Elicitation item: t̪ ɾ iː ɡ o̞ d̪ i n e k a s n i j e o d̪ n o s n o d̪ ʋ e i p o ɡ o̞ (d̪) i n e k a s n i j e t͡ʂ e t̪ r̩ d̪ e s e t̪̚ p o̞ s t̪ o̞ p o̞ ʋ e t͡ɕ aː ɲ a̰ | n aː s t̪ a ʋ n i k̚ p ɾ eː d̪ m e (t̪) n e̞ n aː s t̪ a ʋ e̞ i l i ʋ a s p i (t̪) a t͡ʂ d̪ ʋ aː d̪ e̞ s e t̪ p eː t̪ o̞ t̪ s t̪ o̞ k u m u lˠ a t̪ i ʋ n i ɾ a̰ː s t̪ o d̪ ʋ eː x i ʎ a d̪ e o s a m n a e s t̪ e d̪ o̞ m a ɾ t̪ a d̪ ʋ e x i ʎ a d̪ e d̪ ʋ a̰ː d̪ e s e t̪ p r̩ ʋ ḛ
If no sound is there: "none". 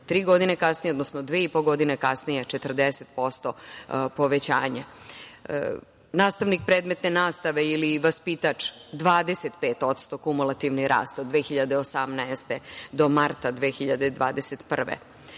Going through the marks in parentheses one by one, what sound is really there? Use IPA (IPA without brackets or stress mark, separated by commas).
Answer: d̪, t̪, t̪